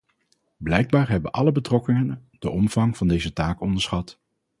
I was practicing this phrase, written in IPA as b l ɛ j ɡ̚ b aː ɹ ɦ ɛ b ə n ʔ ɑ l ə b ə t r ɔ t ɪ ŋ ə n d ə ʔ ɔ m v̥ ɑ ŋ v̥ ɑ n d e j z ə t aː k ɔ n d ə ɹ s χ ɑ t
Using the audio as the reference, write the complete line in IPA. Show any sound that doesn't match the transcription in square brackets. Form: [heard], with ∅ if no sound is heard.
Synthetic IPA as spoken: b l ɛ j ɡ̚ b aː ɹ ɦ ɛ b ə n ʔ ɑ l ə b ə t r ɔ [k] ɪ ŋ ə n d ə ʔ ɔ m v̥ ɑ ŋ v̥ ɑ n d e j z ə t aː k ɔ n d ə ɹ s χ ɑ t